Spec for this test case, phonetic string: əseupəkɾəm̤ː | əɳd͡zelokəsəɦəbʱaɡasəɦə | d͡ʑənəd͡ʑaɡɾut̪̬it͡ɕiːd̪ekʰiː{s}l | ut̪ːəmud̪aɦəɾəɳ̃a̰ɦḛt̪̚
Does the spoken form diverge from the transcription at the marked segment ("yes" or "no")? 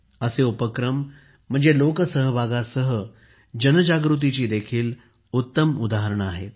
yes